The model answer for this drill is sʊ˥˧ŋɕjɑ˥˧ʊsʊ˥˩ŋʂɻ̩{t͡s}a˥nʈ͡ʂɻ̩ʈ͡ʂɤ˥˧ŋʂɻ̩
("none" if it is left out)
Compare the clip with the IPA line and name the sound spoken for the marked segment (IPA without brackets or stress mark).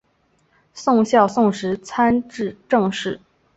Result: t͡sʰ